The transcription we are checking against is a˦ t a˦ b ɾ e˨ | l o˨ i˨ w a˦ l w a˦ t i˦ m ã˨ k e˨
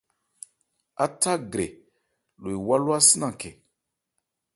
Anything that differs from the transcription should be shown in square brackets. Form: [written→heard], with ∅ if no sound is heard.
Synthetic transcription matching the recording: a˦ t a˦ [b→ɡ] ɾ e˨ | l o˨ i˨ w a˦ l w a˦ [t→s] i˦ [m→n] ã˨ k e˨